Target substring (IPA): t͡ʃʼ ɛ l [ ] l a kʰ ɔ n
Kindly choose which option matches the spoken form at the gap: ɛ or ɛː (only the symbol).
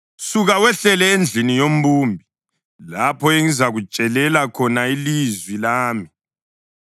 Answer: ɛ